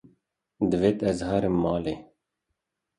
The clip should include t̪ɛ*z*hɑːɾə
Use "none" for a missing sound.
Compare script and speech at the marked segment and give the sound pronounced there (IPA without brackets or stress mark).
z